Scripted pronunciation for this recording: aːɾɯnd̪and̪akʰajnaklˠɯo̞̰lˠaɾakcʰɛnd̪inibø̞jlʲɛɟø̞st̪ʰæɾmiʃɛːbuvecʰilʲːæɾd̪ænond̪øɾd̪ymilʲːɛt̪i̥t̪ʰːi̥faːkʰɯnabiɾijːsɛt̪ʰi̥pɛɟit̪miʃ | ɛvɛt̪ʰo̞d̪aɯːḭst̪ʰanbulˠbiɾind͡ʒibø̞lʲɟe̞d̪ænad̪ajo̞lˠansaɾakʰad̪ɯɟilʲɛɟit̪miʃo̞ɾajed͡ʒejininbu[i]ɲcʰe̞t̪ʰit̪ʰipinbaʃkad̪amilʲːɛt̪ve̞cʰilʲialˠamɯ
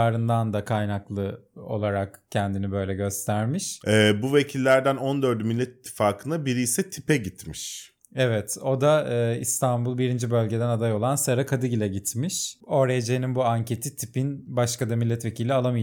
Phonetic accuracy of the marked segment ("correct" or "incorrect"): incorrect